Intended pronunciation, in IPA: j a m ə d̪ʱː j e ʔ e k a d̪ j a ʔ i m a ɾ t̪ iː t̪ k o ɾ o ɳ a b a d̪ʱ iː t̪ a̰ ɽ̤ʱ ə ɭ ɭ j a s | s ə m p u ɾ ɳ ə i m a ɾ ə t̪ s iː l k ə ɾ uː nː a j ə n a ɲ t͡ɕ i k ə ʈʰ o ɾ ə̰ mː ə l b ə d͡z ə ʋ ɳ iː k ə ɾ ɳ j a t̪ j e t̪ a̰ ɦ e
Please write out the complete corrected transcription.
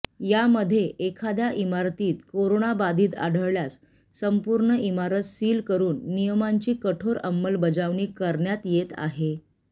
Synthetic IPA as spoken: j a m ə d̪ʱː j e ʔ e kʰ a d̪ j a ʔ i m a ɾ t̪ iː t̪ k o ɾ o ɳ a b a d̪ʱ iː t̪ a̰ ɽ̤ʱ ə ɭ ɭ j a s | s ə m p u ɾ ɳ ə i m a ɾ ə t̪ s iː l k ə ɾ uː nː i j ə m a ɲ t͡ɕ iː k ə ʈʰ o ɾ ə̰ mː ə l b ə d͡z a ʋ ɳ iː k ə ɾ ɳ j a t̪ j e t̪ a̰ ɦ e